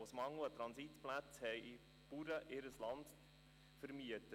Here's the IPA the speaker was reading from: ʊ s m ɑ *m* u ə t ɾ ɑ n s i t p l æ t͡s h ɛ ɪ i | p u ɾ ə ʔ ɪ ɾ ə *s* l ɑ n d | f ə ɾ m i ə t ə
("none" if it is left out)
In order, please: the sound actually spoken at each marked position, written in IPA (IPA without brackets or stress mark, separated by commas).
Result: ŋ, s